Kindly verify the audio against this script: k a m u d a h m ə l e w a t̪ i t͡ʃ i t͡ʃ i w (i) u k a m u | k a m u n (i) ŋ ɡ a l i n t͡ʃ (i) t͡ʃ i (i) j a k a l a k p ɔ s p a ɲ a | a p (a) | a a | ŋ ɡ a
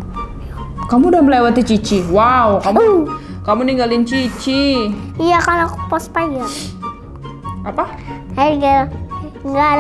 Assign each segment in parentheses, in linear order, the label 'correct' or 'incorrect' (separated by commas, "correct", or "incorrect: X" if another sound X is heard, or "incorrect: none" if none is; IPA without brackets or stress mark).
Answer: incorrect: a, correct, correct, correct, correct